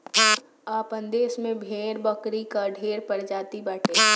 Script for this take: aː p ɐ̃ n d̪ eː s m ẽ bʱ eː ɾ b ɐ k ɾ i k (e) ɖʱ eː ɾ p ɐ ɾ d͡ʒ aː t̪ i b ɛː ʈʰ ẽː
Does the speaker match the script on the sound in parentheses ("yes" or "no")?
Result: no